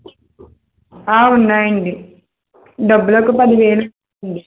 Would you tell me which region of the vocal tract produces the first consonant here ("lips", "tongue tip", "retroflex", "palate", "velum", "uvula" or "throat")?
tongue tip